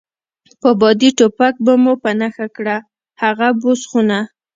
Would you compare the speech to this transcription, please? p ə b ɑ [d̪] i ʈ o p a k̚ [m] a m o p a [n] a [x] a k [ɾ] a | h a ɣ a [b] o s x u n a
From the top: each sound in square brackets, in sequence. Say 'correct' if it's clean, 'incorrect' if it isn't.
correct, incorrect, correct, correct, incorrect, correct

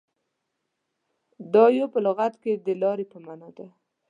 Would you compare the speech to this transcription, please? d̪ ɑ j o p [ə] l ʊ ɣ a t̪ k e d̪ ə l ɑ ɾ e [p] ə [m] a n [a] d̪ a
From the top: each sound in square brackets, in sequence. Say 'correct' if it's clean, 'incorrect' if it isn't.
correct, correct, correct, incorrect

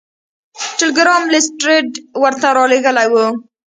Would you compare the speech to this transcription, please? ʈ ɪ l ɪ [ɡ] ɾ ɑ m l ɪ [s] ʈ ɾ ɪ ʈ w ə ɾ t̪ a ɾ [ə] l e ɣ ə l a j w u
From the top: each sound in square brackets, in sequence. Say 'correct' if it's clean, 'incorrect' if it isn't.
correct, correct, incorrect

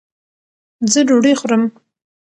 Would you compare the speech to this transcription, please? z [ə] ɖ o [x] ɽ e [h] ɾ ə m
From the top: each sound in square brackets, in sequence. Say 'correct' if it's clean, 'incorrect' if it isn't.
correct, incorrect, incorrect

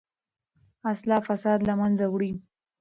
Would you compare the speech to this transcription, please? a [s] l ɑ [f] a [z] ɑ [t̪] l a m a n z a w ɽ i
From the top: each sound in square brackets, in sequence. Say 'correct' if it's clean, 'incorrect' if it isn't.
correct, correct, incorrect, incorrect

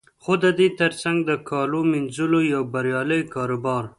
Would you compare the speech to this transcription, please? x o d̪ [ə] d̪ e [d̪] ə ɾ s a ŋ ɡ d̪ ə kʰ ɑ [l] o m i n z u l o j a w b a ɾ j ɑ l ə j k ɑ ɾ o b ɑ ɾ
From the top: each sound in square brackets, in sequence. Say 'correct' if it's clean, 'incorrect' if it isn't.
correct, incorrect, correct

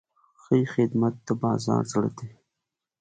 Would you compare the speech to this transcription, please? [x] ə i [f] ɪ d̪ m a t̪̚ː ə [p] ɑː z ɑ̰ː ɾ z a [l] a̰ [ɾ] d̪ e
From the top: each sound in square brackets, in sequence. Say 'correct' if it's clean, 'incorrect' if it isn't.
correct, incorrect, incorrect, incorrect, incorrect

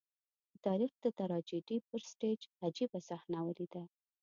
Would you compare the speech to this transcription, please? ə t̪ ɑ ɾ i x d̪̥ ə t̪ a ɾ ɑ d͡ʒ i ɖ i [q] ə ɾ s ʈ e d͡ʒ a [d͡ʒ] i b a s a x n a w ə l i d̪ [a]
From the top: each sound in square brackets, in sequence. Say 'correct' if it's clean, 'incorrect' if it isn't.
incorrect, correct, correct

